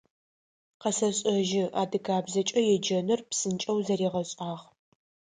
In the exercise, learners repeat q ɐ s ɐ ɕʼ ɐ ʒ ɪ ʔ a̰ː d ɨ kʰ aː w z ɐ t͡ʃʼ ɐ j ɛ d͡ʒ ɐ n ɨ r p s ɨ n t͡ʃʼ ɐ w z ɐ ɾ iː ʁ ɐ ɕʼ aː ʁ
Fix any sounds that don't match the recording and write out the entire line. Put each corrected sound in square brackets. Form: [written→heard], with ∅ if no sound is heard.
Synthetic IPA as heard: q ɐ s ɐ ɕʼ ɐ ʒ ɪ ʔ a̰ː d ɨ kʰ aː [w→b] z ɐ t͡ʃʼ ɐ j ɛ d͡ʒ ɐ n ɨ r p s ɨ n t͡ʃʼ ɐ w z ɐ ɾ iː ʁ ɐ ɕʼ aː ʁ